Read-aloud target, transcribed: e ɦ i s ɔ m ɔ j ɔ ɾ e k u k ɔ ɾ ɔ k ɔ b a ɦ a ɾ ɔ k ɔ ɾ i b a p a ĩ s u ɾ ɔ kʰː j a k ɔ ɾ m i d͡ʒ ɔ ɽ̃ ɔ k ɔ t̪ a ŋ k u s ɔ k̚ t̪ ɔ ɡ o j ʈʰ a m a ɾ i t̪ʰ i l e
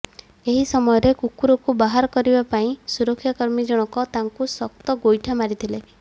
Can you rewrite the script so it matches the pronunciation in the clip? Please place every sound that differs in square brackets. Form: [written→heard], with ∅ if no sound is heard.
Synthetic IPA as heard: e ɦ i s ɔ m ɔ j ɔ ɾ e k u k [ɔ→u] ɾ ɔ k [ɔ→u] b a ɦ a ɾ ɔ k ɔ ɾ i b a p a ĩ s u ɾ ɔ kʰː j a k ɔ ɾ m i d͡ʒ ɔ ɽ̃ ɔ k ɔ t̪ a ŋ k u s ɔ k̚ t̪ ɔ ɡ o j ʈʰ a m a ɾ i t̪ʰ i l e